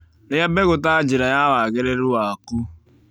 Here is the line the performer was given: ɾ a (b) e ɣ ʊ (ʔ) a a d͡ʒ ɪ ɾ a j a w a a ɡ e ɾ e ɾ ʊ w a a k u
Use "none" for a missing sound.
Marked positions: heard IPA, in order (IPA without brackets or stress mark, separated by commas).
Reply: b, t